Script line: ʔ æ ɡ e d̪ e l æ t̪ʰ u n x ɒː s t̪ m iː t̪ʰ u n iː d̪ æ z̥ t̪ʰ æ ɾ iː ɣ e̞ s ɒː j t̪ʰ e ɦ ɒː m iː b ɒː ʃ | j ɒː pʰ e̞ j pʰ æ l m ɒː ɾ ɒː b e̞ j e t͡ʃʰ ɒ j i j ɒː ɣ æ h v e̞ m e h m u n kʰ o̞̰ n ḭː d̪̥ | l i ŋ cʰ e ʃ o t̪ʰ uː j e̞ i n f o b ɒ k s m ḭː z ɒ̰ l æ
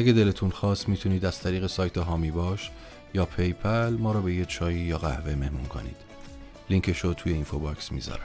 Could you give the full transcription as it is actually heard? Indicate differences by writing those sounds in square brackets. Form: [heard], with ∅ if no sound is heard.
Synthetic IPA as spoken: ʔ æ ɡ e d̪ e l [e] t̪ʰ u n x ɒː s t̪ m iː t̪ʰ u n iː d̪ æ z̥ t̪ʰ æ ɾ iː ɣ e̞ s ɒː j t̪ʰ e ɦ ɒː m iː b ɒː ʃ | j ɒː pʰ e̞ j pʰ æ l m ɒː ɾ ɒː b e̞ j e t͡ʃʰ [ɒː] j i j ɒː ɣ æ h v e̞ m e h m u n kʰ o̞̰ n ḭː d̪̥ | l i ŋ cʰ e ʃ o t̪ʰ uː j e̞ i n f o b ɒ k s m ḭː z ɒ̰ [ɾ] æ